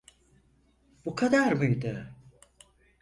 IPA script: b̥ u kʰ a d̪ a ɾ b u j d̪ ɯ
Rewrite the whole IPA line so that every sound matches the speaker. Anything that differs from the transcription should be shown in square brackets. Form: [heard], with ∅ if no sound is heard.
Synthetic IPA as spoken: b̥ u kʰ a d̪ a ɾ [m] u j d̪ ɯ